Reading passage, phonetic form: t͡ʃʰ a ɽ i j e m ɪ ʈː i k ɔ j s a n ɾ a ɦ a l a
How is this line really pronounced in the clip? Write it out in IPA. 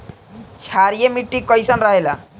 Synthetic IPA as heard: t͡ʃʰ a ɾ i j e m i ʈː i k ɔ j s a n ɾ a ɦ e l a